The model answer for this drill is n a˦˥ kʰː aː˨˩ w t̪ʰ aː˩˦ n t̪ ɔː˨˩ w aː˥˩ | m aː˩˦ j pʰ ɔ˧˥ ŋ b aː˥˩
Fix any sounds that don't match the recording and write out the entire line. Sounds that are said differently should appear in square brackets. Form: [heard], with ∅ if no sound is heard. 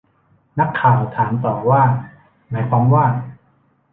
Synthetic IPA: n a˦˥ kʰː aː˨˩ w t̪ʰ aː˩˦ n t̪ ɔː˨˩ w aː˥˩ | m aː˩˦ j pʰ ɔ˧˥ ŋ [w] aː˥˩